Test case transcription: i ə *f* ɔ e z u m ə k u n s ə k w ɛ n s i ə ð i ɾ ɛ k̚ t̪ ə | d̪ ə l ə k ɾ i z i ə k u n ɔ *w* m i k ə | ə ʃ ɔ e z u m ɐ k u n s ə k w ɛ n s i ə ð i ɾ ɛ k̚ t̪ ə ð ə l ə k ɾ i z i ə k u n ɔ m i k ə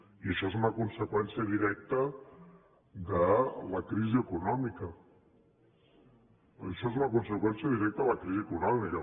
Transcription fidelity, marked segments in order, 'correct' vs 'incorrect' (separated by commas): incorrect, incorrect